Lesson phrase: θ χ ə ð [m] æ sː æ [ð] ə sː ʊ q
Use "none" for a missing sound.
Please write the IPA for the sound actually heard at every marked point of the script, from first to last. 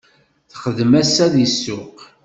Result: m, ð

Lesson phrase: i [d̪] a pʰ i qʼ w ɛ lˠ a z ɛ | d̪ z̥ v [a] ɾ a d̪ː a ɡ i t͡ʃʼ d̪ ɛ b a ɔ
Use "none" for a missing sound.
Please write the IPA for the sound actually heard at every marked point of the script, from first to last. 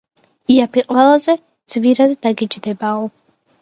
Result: none, i

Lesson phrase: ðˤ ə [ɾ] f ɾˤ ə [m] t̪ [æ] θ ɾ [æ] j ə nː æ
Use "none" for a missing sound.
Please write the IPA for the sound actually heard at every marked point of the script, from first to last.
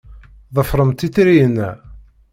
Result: none, m, i, i

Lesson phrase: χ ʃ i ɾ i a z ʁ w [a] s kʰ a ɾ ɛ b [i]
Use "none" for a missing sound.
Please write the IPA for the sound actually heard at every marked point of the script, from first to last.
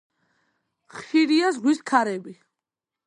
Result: i, i

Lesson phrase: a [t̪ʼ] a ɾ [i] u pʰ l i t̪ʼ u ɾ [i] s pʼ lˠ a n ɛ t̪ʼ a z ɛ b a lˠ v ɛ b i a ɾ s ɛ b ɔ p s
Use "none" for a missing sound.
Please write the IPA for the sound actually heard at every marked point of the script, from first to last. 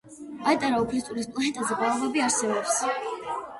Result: t̪ʼ, a, i

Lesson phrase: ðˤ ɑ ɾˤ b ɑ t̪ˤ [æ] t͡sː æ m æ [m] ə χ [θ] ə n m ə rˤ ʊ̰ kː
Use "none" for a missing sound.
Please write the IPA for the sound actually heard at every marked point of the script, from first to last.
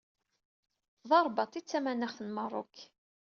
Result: i, n, θ

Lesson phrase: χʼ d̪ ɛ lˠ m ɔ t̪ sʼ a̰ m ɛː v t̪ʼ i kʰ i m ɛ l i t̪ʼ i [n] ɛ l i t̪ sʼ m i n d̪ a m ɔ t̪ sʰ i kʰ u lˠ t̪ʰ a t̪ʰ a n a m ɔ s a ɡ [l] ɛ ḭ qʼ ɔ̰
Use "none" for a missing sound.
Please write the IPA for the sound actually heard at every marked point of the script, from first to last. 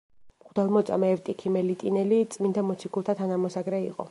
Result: n, ɾ

